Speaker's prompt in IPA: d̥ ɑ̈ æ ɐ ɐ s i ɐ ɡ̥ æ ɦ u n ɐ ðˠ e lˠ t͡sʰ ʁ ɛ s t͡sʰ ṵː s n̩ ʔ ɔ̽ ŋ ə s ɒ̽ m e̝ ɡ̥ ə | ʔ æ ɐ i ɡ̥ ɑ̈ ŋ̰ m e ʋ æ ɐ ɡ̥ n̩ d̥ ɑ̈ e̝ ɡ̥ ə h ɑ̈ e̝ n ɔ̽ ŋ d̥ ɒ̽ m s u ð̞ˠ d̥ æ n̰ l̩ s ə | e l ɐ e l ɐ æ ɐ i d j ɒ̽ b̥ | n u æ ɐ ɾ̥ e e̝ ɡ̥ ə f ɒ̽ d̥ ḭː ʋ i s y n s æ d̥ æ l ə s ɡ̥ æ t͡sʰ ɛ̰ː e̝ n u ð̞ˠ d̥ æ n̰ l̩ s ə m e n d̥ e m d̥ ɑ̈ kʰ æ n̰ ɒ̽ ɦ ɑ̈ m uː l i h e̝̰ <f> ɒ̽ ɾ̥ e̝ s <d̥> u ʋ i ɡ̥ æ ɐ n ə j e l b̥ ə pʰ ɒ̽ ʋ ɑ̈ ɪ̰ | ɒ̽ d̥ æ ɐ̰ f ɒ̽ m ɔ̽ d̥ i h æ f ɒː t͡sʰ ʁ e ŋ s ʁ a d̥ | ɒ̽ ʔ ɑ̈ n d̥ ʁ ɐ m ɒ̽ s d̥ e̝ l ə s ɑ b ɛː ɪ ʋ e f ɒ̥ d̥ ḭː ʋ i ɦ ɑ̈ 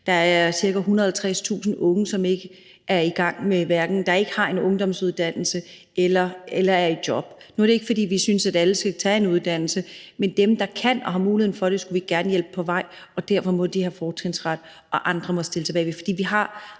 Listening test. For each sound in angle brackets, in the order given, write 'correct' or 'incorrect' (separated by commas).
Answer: correct, incorrect